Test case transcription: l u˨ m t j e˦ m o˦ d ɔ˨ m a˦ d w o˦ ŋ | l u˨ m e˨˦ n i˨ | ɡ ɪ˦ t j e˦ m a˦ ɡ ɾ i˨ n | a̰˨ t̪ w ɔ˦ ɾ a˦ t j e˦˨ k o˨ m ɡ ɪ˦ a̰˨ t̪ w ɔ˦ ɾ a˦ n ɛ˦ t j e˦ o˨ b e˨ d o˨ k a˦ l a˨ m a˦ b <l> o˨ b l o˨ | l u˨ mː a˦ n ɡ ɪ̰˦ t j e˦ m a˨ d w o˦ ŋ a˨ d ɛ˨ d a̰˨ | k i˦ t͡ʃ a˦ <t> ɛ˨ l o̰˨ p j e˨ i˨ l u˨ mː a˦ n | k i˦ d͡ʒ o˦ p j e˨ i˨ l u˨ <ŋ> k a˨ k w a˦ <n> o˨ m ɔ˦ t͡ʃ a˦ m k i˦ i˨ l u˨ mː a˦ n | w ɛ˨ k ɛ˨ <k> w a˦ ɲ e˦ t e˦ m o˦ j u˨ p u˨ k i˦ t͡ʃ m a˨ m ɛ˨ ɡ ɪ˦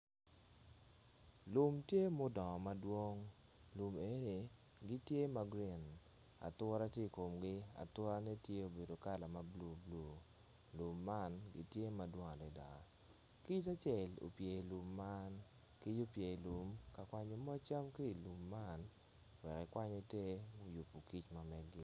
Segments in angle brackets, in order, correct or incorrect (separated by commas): correct, incorrect, incorrect, incorrect, correct